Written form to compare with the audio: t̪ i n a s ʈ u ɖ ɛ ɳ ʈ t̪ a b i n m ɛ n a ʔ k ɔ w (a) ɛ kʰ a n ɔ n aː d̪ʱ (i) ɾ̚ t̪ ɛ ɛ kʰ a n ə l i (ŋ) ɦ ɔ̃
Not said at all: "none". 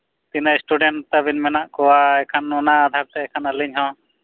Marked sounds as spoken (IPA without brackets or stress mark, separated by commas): a, a, ɲ